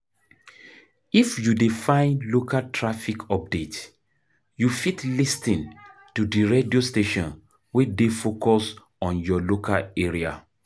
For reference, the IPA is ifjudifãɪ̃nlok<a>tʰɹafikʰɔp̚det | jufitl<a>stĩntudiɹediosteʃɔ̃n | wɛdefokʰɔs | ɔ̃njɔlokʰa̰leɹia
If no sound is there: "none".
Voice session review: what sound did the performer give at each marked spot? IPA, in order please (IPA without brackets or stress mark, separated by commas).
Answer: a, i